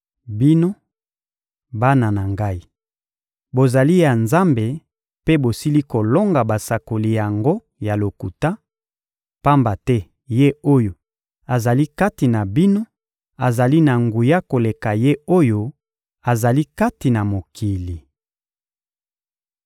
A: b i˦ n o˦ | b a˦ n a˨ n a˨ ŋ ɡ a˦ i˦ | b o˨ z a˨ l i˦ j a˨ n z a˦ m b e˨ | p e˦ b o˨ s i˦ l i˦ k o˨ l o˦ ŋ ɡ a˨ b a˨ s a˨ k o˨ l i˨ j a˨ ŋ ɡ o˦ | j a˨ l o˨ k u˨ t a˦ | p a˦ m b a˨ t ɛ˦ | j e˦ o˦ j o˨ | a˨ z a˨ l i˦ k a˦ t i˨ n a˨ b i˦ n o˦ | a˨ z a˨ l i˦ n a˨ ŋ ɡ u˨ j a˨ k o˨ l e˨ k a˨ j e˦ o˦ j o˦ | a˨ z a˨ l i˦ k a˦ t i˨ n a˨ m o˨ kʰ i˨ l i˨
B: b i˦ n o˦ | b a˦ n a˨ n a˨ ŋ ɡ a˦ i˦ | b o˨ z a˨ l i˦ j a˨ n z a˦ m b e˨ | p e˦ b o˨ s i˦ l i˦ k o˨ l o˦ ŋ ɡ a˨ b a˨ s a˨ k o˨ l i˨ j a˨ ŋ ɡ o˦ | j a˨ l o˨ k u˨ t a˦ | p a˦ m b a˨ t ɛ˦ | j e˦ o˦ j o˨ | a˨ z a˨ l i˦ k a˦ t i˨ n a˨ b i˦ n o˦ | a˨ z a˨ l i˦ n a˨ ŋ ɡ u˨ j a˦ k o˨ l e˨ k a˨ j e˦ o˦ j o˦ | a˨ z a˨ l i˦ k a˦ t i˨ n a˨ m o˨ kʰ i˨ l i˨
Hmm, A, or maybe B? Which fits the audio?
B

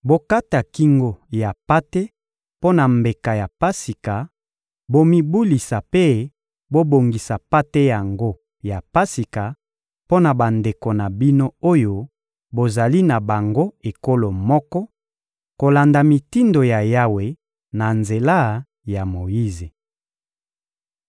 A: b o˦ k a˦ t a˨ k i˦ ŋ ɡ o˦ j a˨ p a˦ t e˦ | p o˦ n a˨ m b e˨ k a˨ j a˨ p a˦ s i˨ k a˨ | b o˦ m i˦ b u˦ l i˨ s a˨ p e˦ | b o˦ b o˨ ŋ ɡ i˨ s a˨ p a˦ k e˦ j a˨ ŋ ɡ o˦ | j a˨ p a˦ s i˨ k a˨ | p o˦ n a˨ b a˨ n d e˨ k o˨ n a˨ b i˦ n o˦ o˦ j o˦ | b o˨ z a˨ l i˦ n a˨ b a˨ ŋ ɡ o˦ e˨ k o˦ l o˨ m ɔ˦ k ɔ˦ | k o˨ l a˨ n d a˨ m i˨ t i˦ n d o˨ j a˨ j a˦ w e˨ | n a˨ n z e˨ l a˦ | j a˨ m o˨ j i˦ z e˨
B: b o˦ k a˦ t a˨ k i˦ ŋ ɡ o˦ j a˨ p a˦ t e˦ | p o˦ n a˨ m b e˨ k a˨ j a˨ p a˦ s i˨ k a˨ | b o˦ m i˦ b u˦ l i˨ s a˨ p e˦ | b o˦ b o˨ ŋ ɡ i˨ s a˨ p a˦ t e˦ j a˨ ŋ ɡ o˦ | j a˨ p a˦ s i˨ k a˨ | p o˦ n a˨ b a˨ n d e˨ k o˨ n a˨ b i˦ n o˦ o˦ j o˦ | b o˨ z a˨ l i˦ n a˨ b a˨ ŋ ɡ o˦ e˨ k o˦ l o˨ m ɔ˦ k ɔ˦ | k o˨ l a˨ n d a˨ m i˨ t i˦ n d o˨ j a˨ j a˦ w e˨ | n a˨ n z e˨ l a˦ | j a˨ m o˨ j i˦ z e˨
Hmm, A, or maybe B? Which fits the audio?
B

